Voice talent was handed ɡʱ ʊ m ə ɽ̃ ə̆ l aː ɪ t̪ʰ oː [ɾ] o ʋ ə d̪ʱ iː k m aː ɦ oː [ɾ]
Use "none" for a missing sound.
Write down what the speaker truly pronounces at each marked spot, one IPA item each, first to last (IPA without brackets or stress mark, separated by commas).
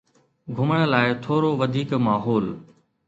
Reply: ɾ, l